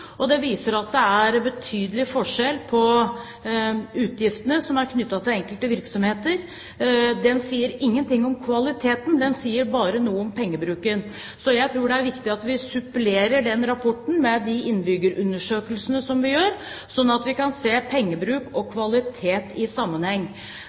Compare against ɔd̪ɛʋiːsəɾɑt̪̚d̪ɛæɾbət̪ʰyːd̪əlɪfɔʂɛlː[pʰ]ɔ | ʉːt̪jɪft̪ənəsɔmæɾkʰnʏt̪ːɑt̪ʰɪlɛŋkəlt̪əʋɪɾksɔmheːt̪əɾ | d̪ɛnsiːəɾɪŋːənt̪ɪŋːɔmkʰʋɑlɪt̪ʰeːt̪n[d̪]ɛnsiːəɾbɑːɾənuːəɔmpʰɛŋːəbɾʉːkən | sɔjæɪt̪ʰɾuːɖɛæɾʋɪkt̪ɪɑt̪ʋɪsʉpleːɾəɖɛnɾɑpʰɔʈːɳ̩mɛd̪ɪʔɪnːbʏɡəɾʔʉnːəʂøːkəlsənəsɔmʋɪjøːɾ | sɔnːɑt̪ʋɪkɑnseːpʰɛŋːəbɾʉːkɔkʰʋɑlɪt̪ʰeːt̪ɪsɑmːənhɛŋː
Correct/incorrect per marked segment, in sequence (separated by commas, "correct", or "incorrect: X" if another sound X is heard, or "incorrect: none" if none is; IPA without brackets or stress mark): correct, correct